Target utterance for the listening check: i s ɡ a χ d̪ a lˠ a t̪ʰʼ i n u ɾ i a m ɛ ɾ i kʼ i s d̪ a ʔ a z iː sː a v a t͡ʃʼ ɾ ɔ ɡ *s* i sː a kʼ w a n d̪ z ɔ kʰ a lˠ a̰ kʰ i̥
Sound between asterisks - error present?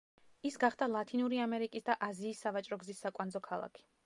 yes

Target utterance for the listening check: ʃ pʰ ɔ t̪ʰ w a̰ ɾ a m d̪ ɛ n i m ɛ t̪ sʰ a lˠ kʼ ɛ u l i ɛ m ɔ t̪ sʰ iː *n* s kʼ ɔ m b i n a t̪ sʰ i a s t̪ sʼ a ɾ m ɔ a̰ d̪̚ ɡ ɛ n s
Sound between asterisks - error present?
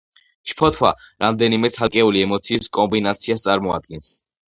yes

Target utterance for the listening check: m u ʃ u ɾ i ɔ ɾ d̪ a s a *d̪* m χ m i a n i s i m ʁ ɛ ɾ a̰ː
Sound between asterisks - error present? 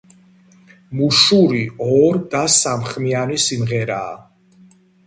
yes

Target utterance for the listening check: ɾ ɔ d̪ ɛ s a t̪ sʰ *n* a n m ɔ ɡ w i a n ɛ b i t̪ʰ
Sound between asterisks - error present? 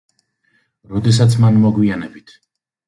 yes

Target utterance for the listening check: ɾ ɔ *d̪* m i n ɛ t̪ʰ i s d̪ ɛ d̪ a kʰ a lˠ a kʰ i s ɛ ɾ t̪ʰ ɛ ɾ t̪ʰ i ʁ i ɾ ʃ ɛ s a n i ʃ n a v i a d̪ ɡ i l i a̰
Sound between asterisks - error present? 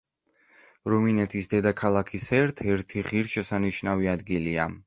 yes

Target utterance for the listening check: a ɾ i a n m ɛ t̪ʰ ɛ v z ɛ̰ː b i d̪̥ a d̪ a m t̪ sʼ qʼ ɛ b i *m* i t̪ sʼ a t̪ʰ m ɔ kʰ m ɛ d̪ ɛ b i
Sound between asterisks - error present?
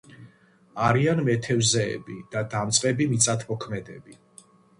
no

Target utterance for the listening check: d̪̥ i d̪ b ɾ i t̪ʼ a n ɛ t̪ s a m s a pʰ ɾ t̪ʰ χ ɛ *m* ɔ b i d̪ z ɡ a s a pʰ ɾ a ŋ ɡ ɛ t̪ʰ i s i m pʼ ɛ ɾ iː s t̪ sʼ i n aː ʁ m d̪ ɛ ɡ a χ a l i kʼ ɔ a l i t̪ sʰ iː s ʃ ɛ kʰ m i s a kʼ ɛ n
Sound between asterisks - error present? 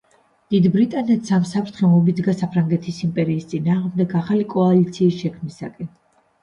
no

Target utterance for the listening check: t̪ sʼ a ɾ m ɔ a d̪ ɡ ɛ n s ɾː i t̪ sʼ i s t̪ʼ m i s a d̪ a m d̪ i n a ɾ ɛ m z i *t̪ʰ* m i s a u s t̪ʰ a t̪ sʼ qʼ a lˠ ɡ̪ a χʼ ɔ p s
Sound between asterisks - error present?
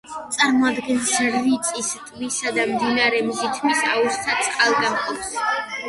no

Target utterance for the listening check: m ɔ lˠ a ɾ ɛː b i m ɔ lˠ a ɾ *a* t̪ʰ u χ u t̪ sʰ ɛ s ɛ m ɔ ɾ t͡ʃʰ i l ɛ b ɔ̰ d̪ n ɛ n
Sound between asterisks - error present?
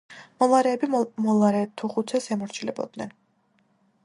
yes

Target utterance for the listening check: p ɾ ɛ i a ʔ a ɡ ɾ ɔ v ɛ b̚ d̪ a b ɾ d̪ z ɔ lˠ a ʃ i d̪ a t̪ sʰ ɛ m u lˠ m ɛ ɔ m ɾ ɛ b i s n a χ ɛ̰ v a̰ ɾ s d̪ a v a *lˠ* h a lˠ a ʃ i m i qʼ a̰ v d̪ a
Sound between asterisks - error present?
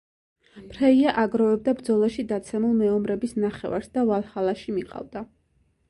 no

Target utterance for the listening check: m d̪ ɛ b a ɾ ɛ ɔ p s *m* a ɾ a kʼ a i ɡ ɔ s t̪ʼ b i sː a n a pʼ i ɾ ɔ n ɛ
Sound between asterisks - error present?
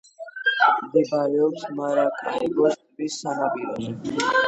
no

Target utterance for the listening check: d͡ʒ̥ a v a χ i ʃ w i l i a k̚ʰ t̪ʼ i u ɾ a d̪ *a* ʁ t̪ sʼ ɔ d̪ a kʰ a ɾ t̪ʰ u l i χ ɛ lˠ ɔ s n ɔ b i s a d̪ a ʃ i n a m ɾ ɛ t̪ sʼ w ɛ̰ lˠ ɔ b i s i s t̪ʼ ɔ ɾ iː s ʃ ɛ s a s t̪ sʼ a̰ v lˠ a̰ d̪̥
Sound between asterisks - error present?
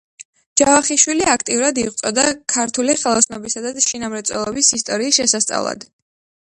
yes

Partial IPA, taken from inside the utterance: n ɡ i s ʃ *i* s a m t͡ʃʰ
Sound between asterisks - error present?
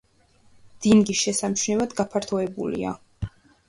yes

